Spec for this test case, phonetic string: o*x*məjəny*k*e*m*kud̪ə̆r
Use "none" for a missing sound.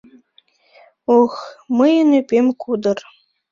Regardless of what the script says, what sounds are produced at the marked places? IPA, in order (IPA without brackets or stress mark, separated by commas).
x, p, m